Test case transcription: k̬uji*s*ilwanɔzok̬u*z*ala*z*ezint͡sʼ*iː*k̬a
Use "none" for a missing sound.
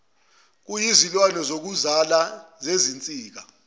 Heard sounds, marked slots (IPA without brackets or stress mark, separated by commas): z, z, z, iː